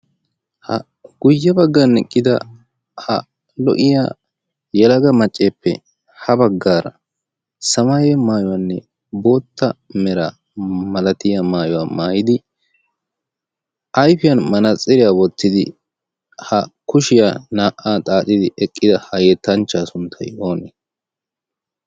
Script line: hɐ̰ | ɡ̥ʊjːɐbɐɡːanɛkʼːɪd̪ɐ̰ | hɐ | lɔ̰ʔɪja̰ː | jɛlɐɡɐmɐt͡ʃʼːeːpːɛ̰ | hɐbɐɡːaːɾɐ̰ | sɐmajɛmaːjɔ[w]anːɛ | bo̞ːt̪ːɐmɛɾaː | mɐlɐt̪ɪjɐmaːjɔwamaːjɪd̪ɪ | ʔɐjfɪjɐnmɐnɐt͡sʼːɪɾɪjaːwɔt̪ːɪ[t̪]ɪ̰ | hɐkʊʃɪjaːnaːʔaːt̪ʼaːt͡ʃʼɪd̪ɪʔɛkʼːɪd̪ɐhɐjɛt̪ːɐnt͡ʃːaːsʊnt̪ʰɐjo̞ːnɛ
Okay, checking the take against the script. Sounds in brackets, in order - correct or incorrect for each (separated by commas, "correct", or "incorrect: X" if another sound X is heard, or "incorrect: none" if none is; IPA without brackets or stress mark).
correct, incorrect: d̪